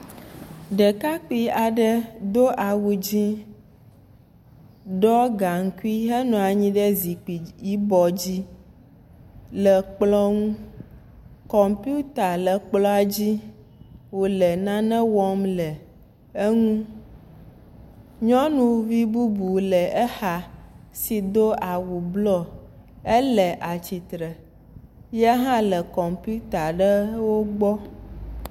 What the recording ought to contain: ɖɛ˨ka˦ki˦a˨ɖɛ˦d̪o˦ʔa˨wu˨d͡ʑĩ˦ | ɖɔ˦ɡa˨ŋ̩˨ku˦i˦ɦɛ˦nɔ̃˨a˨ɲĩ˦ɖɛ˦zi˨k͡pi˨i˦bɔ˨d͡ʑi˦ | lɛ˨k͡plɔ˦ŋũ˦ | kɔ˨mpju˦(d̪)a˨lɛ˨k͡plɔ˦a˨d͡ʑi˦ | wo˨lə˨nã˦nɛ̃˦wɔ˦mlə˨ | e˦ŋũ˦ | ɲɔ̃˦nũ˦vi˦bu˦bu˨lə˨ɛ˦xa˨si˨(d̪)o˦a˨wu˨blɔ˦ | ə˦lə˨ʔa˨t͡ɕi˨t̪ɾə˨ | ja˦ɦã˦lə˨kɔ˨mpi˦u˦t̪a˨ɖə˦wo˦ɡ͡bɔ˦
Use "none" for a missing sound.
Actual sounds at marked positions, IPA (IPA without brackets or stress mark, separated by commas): t̪, d̪